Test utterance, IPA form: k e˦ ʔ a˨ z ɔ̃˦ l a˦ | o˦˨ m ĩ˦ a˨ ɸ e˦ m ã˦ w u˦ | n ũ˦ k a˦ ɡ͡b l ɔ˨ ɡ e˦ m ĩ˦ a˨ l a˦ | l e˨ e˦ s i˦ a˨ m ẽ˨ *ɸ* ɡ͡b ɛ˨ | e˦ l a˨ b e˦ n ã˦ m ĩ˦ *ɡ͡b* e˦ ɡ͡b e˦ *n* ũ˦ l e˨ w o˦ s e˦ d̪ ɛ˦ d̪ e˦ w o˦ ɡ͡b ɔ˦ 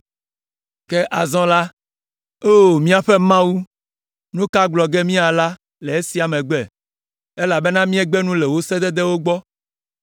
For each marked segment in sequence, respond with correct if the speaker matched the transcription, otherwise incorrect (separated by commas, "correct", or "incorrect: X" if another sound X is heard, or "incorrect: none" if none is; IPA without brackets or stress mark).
incorrect: none, incorrect: none, correct